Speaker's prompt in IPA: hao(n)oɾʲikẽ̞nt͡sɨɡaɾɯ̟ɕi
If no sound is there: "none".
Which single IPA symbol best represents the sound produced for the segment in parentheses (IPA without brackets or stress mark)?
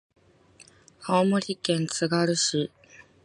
m